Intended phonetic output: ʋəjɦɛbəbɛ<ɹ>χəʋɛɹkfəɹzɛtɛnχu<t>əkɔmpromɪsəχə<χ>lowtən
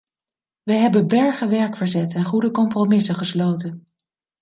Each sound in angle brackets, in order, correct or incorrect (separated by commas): correct, incorrect, incorrect